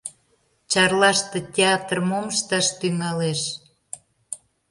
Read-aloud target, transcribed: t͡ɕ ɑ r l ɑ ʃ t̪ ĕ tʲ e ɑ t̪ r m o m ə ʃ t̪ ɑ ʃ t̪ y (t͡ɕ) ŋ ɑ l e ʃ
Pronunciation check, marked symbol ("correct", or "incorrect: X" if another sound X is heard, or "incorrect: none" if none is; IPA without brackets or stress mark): incorrect: none